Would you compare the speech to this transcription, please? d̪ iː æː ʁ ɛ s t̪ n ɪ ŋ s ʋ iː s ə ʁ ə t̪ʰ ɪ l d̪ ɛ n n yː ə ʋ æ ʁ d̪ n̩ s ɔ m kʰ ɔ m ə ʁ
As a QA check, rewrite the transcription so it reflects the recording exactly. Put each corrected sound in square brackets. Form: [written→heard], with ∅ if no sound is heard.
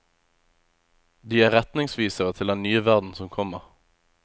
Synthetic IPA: d̪ iː æː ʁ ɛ [s→∅] t̪ n ɪ ŋ s ʋ iː s ə ʁ ə t̪ʰ ɪ l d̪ ɛ n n yː ə ʋ æ ʁ d̪ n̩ s ɔ m kʰ ɔ m ə ʁ